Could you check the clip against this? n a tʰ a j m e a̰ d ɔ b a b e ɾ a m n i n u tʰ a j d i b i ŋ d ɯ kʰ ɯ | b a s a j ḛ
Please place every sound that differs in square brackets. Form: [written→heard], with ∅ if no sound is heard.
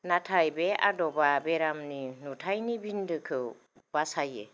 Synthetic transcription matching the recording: n a tʰ a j [m→b] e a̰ d ɔ b a b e ɾ a m n i n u tʰ a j [d→n] i b i [ŋ→n] d ɯ kʰ ɯ | b a s a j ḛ